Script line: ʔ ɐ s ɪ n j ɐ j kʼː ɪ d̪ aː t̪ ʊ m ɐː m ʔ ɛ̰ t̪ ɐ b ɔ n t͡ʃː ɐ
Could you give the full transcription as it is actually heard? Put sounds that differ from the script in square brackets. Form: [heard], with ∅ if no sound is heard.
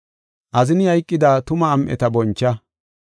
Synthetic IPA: ʔ ɐ [z] ɪ n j ɐ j kʼː ɪ d̪ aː t̪ ʊ m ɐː m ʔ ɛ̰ t̪ ɐ b ɔ n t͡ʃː ɐ